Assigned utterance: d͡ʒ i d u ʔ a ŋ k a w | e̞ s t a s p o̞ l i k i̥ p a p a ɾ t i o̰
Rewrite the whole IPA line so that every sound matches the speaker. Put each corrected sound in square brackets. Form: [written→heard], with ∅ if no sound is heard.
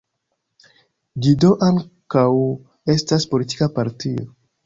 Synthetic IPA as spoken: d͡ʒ i d [u→o] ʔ a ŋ k a w | e̞ s t a s p o̞ l i [k→t] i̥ [p→k] a p a ɾ t i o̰